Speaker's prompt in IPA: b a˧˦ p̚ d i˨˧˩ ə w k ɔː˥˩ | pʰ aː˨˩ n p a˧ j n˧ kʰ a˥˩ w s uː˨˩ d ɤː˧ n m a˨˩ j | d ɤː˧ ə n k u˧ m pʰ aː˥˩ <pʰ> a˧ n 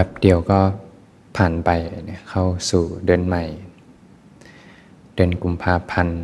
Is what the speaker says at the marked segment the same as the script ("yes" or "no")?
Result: yes